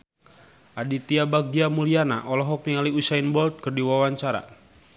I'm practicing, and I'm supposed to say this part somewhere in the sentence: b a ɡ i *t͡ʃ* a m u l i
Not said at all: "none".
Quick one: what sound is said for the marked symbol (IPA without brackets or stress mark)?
none